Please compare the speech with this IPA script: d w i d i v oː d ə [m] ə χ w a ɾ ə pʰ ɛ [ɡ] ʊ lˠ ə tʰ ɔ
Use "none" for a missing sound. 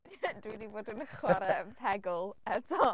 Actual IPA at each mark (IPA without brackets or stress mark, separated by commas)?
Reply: n, ɡ